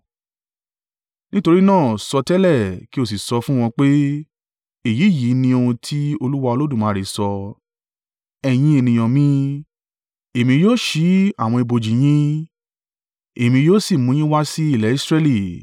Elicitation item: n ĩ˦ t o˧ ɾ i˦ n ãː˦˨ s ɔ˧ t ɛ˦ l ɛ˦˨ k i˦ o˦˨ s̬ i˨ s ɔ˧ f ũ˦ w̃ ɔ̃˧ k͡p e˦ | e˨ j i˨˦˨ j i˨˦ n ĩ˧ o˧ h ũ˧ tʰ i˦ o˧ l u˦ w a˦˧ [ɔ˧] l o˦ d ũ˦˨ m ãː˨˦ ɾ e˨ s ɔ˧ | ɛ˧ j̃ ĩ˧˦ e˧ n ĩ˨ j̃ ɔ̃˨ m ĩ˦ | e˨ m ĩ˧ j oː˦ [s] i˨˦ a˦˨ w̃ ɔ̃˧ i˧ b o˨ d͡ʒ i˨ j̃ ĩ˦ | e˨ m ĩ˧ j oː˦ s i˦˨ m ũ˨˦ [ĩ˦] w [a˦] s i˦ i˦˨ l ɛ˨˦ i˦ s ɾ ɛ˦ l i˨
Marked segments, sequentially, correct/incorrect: incorrect, incorrect, correct, correct

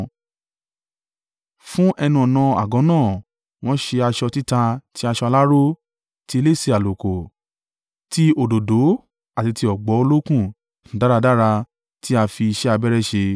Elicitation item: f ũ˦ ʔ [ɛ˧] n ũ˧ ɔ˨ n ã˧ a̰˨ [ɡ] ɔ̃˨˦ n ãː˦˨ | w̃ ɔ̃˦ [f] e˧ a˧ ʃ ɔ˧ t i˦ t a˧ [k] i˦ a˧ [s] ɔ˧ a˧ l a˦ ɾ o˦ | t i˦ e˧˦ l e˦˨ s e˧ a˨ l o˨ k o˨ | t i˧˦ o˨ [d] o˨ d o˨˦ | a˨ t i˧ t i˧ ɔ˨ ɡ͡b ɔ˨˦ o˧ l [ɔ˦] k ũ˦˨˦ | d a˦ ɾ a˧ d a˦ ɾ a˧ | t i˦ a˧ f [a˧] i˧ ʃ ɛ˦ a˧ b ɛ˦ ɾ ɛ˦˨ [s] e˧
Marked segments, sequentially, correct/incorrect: correct, correct, incorrect, incorrect, incorrect, correct, incorrect, incorrect, incorrect

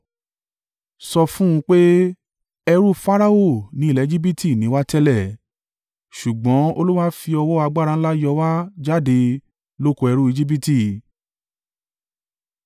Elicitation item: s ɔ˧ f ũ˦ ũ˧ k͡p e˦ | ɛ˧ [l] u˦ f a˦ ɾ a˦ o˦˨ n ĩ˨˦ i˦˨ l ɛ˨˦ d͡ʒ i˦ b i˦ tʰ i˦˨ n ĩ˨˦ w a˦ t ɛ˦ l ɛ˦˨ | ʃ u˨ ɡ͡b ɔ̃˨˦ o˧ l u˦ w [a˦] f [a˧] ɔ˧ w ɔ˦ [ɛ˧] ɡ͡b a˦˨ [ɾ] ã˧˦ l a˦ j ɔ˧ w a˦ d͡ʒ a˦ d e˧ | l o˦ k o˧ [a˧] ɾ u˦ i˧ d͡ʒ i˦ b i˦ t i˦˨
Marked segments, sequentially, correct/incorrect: incorrect, correct, incorrect, incorrect, correct, incorrect

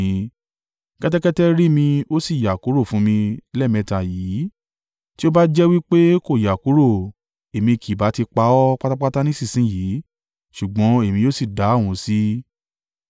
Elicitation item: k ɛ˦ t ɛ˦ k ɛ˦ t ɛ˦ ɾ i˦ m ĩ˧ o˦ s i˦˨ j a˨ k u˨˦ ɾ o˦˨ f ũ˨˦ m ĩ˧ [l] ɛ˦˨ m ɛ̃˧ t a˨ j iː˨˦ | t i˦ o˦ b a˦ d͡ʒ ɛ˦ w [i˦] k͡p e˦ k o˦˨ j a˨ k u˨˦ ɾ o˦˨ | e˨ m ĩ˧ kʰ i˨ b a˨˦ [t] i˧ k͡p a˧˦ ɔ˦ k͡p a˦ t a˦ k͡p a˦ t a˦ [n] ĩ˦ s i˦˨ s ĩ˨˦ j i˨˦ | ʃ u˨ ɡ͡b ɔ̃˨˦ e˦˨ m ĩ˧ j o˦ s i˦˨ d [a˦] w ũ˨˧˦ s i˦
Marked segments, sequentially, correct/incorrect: correct, correct, correct, correct, incorrect

